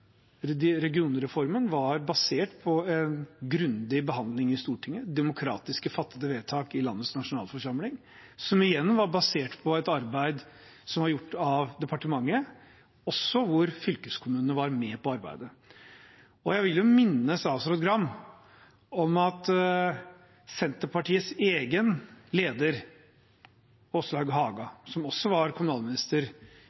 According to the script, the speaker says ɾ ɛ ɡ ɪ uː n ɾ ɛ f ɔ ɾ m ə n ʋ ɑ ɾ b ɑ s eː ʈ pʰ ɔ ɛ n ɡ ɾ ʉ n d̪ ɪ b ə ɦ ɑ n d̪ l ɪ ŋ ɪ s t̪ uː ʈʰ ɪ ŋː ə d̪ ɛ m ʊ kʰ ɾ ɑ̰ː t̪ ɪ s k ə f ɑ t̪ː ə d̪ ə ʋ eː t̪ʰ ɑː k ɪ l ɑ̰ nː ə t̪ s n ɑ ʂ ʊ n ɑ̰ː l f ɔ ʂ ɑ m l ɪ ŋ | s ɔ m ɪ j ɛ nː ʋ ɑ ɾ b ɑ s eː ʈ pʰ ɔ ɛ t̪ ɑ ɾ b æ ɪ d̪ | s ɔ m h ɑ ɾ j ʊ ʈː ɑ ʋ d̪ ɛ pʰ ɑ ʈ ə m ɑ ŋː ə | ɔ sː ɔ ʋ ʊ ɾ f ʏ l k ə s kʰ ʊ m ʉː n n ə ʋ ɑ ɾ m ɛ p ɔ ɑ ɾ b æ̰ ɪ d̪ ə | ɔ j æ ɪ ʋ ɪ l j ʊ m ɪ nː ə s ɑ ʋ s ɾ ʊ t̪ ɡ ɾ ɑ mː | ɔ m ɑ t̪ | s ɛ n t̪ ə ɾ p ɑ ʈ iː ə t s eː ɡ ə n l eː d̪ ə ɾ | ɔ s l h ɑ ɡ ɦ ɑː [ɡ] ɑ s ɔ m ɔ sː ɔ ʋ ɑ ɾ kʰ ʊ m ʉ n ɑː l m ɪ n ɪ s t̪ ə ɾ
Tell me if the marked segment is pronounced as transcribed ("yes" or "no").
yes